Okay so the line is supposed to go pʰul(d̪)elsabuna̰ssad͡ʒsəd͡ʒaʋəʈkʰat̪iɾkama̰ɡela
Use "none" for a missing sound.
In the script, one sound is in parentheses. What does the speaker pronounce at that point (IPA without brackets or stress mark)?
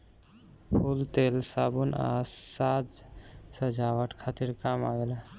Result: t̪